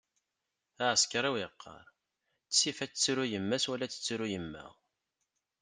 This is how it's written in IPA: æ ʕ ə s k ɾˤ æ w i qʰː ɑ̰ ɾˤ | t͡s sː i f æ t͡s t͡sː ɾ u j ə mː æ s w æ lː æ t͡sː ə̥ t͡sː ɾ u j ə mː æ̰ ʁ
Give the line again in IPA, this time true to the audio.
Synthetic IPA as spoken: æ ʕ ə s k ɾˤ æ w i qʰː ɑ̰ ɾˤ | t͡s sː i f æ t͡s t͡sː ɾ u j ə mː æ s w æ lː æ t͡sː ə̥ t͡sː ɾ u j ə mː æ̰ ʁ